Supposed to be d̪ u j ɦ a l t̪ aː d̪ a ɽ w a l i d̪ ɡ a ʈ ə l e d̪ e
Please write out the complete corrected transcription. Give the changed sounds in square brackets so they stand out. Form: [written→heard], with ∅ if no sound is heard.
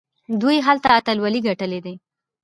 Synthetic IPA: d̪ u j ɦ a l t̪ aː [d̪→t̪] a [ɽ→l] w a l i [d̪→∅] ɡ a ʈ ə l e d̪ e